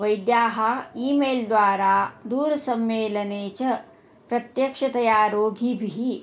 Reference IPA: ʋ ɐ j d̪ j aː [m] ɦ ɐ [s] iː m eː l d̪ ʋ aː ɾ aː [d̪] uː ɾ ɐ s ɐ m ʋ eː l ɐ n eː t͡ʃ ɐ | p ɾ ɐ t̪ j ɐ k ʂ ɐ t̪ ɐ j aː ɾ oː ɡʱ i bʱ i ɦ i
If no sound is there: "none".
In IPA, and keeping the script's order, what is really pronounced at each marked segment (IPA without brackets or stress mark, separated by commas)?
none, none, d̪